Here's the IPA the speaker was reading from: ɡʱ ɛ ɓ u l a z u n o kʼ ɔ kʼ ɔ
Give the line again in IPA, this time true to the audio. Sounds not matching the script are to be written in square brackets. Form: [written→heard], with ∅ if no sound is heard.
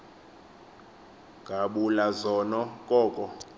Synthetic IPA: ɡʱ [ɛ→a] ɓ u l a z [u→ɔ] n [o→ɔ] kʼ [ɔ→ɔː] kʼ ɔ